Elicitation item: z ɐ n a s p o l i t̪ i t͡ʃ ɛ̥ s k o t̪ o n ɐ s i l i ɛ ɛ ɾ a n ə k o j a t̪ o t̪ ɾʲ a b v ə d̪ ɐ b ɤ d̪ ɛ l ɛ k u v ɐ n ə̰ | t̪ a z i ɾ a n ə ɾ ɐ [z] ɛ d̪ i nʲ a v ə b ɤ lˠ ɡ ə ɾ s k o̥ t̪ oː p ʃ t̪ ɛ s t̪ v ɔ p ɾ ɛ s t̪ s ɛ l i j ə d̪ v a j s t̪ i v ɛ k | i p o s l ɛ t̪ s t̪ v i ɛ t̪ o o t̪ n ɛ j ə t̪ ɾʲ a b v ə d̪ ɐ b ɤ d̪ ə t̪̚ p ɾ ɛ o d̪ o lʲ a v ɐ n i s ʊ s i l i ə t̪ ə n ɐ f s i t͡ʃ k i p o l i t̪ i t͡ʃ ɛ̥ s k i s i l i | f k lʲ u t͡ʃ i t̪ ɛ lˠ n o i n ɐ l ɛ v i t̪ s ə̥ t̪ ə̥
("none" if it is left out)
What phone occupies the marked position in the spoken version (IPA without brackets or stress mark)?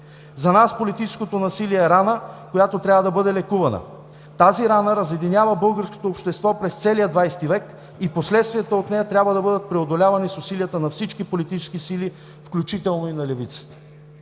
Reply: z